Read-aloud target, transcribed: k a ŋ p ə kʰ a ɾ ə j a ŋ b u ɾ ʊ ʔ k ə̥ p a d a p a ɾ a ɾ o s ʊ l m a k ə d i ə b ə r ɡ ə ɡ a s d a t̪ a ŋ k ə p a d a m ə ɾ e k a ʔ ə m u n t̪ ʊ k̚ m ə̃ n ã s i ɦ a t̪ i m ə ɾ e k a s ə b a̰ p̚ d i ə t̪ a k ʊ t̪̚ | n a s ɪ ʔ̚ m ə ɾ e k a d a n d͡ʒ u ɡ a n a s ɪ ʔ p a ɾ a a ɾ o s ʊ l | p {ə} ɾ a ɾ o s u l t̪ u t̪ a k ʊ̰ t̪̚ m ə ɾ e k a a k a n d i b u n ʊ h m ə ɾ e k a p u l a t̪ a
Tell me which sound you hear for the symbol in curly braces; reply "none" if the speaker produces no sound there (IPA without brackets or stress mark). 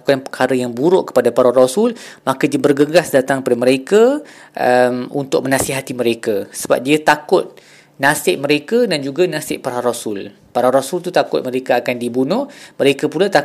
a